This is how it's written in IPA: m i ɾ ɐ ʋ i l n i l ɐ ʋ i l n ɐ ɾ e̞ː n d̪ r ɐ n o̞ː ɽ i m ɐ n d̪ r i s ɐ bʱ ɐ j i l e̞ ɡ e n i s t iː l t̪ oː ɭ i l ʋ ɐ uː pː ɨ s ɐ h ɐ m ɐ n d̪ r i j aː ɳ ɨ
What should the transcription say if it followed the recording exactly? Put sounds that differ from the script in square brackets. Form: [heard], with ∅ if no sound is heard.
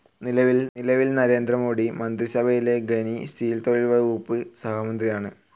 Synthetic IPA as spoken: [n] i [l] ɐ ʋ i l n i l ɐ ʋ i l n ɐ ɾ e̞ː n d̪ r ɐ [m] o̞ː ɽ i m ɐ n d̪ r i s ɐ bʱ ɐ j i l e̞ ɡ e n i s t iː l t̪ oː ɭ i l ʋ ɐ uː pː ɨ s ɐ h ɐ m ɐ n d̪ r i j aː ɳ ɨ